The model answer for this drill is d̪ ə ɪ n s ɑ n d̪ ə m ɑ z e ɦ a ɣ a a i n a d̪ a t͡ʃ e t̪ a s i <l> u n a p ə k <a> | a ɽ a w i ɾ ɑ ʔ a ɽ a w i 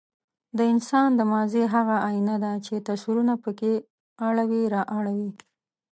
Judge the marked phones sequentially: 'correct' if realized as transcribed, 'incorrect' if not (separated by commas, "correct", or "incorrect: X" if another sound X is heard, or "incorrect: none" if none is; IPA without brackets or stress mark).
incorrect: ɾ, incorrect: e